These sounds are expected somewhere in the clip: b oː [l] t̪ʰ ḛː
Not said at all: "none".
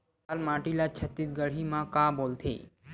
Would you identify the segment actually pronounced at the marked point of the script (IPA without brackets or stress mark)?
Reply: l